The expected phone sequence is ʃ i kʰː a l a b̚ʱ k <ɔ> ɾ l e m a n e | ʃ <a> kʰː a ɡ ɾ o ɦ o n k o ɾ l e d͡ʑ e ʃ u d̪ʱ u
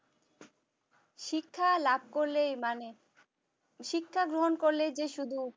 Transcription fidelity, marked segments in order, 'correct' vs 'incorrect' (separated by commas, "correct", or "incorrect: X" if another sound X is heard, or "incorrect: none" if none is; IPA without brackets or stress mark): incorrect: o, incorrect: i